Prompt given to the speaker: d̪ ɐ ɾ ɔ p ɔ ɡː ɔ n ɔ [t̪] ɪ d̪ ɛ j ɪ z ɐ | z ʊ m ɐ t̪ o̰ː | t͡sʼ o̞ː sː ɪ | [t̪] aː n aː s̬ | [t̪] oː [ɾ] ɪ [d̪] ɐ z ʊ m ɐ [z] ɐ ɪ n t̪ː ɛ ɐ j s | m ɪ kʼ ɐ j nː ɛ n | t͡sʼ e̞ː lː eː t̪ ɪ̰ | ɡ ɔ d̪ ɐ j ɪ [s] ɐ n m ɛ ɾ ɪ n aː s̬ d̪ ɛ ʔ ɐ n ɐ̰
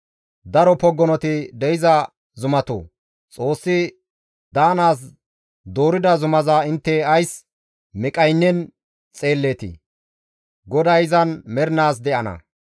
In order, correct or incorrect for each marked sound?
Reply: correct, incorrect, incorrect, correct, correct, correct, incorrect

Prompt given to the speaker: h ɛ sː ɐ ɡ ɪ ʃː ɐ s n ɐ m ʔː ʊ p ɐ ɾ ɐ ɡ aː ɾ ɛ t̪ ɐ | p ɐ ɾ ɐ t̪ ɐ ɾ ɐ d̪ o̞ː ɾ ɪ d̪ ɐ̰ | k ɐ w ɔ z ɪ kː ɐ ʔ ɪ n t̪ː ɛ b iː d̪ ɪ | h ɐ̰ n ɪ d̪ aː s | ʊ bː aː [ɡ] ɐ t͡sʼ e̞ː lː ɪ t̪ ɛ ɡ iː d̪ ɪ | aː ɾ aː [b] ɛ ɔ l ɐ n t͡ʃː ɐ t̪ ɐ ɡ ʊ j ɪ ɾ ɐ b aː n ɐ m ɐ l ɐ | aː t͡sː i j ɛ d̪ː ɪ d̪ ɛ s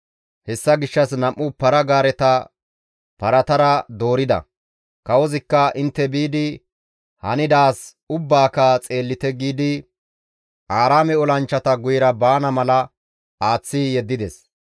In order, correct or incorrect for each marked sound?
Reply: incorrect, incorrect

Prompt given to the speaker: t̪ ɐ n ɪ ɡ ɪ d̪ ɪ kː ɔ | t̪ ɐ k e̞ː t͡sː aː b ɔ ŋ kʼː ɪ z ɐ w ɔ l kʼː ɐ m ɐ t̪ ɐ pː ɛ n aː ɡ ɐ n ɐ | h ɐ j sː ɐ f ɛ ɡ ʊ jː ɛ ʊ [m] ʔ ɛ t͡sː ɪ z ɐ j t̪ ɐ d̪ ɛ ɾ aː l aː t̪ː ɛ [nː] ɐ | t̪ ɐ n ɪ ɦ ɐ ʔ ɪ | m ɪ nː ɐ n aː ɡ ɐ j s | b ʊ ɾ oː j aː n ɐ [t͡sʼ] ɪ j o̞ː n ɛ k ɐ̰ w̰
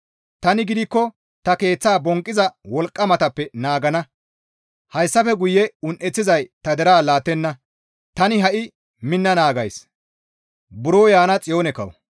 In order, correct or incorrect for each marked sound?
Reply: incorrect, correct, correct

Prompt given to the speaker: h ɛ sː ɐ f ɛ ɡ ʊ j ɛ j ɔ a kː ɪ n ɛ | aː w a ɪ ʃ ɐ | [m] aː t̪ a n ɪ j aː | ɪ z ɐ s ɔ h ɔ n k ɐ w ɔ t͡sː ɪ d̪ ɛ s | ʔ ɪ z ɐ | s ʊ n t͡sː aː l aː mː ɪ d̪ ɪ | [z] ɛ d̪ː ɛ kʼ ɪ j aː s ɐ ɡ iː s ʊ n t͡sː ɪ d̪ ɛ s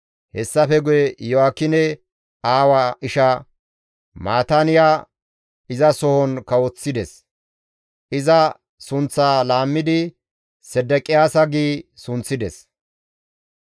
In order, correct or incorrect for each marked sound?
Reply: correct, incorrect

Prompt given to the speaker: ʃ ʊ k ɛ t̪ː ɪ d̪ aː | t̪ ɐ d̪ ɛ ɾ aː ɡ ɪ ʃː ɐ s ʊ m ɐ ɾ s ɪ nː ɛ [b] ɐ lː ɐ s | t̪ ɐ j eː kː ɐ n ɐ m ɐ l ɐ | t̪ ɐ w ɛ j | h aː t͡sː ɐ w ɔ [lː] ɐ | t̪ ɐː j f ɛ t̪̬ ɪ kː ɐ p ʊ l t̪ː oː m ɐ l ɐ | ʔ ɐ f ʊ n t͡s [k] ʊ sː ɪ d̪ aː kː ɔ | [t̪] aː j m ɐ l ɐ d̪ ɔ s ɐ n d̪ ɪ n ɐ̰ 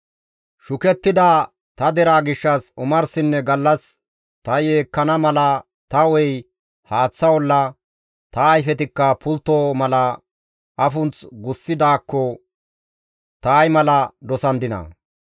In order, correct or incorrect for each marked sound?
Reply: incorrect, correct, incorrect, correct

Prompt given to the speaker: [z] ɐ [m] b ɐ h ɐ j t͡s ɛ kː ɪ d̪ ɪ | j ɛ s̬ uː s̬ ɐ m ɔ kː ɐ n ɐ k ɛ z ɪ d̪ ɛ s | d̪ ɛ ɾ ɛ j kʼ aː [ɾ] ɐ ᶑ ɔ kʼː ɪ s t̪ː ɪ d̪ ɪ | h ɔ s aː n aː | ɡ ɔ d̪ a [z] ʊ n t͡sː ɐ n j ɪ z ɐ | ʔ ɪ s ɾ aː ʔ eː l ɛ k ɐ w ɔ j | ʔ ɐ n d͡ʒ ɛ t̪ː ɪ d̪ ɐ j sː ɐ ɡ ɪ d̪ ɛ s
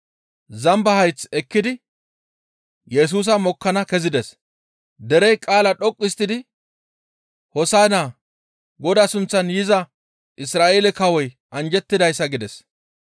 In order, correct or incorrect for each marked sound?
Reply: correct, correct, incorrect, incorrect

